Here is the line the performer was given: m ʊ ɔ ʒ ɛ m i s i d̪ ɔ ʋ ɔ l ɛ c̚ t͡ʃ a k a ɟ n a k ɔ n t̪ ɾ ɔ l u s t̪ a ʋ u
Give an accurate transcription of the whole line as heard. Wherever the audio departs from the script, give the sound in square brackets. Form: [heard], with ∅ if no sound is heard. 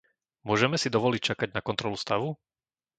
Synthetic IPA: m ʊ ɔ ʒ ɛ m [ɛ] s i d̪ ɔ ʋ ɔ l [i] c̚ t͡ʃ a k a ɟ n a k ɔ n t̪ ɾ ɔ l u s t̪ a ʋ u